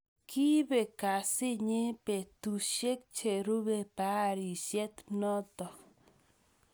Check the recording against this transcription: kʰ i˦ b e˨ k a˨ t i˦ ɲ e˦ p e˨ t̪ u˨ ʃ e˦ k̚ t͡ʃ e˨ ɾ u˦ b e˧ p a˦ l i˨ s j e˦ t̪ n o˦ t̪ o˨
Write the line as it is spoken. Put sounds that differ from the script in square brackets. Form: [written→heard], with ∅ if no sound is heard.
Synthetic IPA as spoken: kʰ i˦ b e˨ k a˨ [t→s] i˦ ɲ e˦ p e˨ t̪ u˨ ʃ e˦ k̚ t͡ʃ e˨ ɾ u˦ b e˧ p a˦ [l→ɾ] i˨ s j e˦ t̪ n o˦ t̪ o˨